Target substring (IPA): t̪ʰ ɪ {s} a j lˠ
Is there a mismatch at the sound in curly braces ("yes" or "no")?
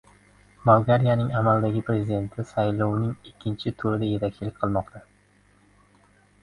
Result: no